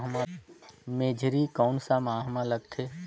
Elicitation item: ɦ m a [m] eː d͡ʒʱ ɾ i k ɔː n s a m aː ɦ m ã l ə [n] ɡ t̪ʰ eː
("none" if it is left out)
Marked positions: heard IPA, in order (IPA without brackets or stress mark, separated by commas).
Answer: m, none